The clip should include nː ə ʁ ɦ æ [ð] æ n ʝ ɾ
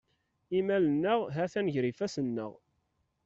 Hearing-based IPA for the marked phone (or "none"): θ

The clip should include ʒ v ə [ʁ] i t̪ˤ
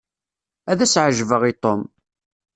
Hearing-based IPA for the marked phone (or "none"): ʁ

